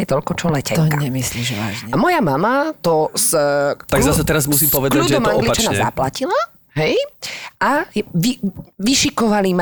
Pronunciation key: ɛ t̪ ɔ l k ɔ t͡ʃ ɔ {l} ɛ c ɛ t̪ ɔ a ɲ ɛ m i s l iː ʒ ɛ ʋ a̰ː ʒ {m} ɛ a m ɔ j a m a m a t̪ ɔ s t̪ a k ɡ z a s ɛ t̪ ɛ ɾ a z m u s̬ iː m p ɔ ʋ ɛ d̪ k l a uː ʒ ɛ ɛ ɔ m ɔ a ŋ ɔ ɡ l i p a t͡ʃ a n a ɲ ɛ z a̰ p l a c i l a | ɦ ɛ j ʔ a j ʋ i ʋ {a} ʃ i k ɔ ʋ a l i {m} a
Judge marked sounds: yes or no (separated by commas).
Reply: yes, no, no, yes